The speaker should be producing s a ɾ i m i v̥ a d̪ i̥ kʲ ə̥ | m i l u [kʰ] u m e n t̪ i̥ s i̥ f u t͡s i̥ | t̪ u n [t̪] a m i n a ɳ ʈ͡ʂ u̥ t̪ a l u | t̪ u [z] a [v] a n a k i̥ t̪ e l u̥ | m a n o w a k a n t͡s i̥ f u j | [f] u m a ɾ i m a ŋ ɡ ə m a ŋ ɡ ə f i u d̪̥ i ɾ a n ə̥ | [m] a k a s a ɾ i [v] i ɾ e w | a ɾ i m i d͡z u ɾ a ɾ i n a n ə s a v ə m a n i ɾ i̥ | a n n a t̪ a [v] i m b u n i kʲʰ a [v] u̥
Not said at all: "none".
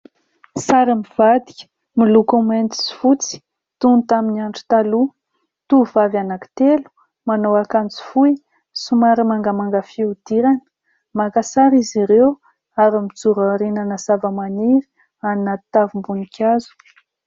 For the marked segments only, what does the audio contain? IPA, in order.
k, t̪, v, v, s, m, z, v, z

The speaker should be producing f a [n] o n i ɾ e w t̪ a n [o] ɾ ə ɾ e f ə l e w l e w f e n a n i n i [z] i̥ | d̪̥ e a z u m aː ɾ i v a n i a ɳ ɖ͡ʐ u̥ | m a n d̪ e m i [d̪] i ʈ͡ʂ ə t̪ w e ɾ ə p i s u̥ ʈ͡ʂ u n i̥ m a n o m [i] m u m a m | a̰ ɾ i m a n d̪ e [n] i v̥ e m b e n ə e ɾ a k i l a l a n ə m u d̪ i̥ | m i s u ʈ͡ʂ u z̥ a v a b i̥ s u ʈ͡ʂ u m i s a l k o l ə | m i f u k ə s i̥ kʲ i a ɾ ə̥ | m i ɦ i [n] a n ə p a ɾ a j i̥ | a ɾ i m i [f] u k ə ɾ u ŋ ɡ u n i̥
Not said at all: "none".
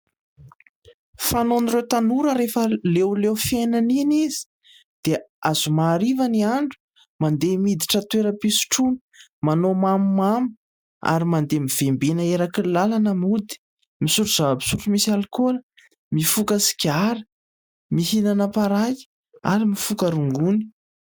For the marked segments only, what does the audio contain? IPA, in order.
n, u, z, d̪, a, m, n, f

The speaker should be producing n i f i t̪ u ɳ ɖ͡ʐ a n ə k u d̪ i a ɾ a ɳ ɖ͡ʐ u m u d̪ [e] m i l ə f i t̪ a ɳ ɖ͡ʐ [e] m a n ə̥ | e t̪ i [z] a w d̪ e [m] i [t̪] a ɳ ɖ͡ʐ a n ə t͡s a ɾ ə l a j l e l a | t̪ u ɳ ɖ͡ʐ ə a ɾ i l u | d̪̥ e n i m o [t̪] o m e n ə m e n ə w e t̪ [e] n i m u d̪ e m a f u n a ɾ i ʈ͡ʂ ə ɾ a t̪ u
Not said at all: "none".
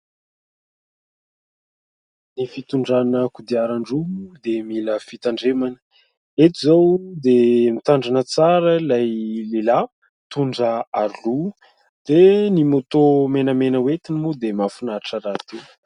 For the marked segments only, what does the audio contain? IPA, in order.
e, e, z, m, t̪, t̪, i

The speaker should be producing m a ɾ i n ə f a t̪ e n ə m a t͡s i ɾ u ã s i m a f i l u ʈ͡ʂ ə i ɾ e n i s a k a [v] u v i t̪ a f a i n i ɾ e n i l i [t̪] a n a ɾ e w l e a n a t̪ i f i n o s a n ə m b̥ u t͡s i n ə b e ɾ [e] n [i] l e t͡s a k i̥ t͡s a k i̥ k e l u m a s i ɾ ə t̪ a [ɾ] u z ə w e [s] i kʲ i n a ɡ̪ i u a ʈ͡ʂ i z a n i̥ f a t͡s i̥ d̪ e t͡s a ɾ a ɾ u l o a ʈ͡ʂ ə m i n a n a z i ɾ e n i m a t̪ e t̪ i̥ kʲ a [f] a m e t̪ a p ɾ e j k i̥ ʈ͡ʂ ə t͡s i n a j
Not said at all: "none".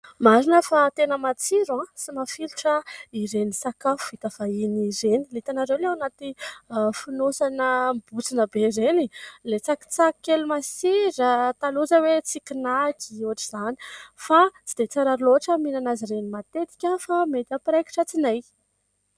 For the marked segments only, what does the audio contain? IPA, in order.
f, t̪, e, i, l, t͡s, f

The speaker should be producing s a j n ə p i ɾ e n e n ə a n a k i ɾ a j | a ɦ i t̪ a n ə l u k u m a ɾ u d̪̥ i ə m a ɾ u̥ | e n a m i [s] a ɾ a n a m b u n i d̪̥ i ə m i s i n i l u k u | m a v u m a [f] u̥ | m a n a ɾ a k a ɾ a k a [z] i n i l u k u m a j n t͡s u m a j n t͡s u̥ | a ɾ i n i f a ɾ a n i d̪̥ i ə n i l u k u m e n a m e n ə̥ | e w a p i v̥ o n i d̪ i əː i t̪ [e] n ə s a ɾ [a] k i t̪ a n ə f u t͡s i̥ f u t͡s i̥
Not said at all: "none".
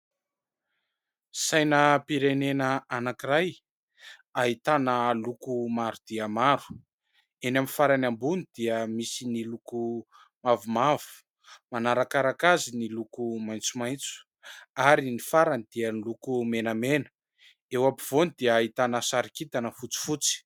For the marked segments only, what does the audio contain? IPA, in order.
f, v, z, a, i

